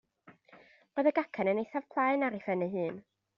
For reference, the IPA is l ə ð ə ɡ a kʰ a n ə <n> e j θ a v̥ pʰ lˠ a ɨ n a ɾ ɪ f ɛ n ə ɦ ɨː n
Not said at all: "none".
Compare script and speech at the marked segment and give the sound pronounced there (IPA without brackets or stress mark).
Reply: n